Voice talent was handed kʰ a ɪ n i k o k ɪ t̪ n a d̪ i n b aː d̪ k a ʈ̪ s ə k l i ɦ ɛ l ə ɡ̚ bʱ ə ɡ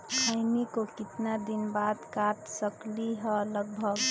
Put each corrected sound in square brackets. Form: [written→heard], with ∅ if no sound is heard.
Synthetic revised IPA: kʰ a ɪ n i k o k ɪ t̪ n a d̪ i n b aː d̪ k a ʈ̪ s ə k l i ɦ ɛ l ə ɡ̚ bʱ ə ɡ